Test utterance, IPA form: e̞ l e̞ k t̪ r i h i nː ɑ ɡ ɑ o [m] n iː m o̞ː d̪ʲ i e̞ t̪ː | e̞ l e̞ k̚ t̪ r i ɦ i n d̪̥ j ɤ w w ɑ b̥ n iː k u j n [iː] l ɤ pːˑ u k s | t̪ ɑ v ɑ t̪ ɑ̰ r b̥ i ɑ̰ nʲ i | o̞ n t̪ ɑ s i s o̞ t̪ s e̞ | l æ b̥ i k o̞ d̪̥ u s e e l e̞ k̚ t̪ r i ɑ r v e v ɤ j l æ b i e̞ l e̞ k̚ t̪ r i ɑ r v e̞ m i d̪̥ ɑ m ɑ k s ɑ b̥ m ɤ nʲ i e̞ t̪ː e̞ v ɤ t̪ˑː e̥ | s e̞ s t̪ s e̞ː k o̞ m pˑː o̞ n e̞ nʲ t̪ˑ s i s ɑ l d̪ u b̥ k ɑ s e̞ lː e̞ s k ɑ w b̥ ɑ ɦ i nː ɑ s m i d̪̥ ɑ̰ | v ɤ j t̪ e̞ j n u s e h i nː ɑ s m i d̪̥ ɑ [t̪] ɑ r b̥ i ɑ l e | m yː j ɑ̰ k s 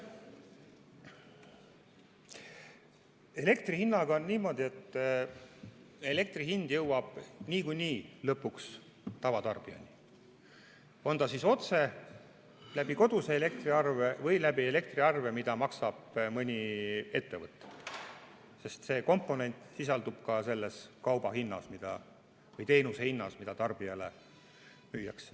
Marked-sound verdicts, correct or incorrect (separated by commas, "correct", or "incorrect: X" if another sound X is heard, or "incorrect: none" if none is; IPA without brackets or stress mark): incorrect: n, correct, correct